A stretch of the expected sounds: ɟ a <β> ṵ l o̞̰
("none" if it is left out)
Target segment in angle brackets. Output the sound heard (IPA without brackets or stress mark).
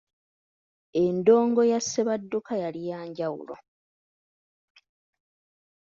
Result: w